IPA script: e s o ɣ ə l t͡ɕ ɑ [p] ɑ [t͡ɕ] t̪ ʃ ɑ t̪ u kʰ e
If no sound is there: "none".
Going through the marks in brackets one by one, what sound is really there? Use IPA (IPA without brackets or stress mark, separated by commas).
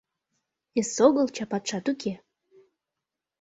p, none